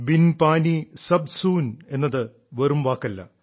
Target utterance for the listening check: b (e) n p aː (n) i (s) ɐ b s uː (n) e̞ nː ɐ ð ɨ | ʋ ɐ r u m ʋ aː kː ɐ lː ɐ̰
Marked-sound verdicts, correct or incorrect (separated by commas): incorrect, correct, correct, correct